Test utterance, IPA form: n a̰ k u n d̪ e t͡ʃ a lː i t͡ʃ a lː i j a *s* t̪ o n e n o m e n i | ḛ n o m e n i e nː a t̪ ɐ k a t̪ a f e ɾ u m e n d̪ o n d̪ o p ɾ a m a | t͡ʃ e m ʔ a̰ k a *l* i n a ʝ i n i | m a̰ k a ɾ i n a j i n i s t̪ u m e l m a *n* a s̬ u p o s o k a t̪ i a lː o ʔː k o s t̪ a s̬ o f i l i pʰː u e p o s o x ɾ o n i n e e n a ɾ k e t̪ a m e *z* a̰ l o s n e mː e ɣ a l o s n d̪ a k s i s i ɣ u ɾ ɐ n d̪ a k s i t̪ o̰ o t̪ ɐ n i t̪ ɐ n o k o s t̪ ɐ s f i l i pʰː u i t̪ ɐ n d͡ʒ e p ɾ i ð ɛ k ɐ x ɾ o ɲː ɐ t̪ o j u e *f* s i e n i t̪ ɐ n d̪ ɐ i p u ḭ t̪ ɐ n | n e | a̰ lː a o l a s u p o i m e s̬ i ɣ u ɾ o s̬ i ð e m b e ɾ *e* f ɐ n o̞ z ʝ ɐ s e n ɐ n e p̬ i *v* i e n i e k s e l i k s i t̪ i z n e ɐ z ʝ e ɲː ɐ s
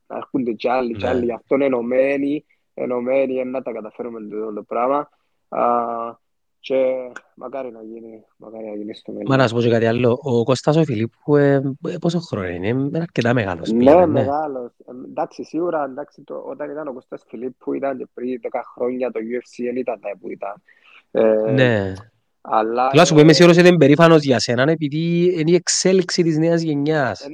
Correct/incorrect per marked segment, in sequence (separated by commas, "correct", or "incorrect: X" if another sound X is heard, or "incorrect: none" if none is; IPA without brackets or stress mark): incorrect: f, incorrect: ɾ, correct, incorrect: ɣ, correct, incorrect: i, incorrect: ð